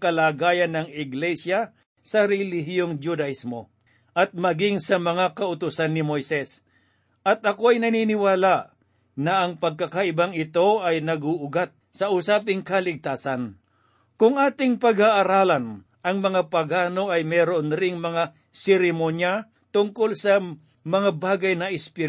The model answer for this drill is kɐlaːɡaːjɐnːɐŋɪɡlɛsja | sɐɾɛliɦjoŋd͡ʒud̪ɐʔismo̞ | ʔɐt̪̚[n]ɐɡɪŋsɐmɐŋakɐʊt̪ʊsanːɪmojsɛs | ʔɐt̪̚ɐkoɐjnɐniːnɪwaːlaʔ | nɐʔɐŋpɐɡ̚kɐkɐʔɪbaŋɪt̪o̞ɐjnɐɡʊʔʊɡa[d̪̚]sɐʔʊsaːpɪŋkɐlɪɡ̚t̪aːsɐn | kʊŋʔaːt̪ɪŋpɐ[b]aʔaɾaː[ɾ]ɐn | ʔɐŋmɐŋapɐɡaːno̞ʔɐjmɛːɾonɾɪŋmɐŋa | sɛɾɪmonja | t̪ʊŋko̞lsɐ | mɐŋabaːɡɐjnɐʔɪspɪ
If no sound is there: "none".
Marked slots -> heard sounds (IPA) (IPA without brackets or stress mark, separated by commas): m, t̪̚, ɡ, l